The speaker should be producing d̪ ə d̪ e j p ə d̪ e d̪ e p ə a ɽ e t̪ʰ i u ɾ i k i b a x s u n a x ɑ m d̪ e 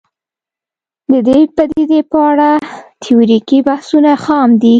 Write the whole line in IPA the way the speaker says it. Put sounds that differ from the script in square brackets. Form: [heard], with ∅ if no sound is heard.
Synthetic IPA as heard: d̪ ə d̪ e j p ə d̪ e d̪ e p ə a ɽ [a] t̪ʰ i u ɾ i k i b a [h] s u n a x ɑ m d̪ [i]